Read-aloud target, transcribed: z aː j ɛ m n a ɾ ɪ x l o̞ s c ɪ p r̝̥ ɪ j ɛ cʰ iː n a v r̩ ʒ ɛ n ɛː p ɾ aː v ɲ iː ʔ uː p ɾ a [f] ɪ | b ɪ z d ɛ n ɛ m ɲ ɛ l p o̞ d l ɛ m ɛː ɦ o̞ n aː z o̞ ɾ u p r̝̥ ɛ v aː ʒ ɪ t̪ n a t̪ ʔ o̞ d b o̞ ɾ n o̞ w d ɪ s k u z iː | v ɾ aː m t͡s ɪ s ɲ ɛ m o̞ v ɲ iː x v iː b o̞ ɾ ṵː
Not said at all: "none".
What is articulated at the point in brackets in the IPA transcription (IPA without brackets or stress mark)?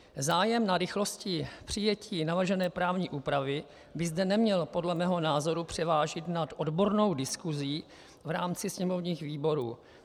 v